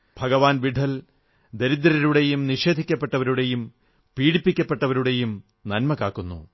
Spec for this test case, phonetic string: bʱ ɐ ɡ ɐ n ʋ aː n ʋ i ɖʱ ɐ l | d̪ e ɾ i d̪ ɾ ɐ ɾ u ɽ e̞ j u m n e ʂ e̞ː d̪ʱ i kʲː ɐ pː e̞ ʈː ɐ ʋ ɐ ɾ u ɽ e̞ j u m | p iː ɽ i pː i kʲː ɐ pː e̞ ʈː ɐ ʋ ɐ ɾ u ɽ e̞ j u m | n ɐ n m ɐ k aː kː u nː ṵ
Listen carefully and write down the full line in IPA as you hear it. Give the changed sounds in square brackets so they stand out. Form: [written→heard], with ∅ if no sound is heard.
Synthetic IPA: bʱ ɐ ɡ ɐ [n→∅] ʋ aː n ʋ i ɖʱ ɐ l | d̪ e ɾ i d̪ ɾ ɐ ɾ u ɽ e̞ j u m n [e→i] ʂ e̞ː d̪ʱ i kʲː ɐ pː e̞ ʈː ɐ ʋ ɐ ɾ u ɽ e̞ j u m | p iː ɽ i pː i kʲː ɐ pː e̞ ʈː ɐ ʋ ɐ ɾ u ɽ e̞ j u m | n ɐ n m ɐ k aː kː u nː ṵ